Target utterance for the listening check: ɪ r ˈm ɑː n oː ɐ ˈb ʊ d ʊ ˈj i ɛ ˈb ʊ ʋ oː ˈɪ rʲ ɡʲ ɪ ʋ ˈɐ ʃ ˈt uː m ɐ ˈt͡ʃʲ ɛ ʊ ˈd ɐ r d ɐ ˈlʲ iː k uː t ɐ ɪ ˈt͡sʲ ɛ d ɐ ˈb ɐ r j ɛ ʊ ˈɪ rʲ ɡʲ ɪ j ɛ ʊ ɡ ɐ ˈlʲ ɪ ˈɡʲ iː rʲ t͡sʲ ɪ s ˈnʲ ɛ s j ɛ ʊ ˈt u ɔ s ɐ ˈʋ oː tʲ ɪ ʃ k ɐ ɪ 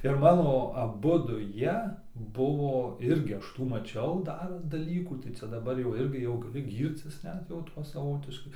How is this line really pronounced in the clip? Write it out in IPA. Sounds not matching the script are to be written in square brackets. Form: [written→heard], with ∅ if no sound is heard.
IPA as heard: ɪ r ˈm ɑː n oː ɐ ˈb ʊ d ʊ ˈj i ɛ ˈb ʊ ʋ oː ˈɪ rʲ ɡʲ ɪ [ʋ→∅] ˈɐ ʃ ˈt uː m ɐ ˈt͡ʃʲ ɛ ʊ ˈd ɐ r d ɐ ˈlʲ iː k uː t ɐ ɪ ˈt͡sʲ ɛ d ɐ ˈb ɐ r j ɛ ʊ ˈɪ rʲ ɡʲ ɪ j ɛ ʊ ɡ ɐ ˈlʲ ɪ ˈɡʲ iː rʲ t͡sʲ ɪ s ˈnʲ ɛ [s→t] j ɛ ʊ ˈt u ɔ s ɐ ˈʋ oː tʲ ɪ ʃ k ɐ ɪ